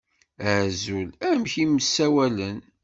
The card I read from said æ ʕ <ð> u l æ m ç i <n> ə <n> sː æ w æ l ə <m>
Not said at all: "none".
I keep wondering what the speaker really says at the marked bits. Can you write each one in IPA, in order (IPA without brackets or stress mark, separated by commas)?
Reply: z, m, none, n